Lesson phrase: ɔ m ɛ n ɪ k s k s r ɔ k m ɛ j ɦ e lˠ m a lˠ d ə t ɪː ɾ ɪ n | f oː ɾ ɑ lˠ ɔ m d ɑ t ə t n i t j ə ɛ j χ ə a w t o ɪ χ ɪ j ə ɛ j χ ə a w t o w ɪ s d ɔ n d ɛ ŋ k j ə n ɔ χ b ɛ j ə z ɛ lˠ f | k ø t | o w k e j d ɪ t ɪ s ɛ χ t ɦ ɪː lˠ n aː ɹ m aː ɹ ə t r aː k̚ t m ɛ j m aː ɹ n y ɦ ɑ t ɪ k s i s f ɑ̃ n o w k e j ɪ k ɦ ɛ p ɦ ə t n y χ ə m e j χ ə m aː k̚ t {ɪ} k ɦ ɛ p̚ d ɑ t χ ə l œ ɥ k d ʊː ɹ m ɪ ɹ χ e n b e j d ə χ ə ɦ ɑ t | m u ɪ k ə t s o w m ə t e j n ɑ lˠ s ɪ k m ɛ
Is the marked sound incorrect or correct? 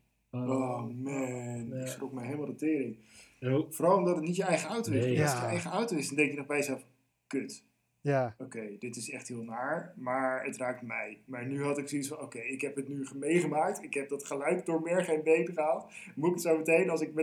correct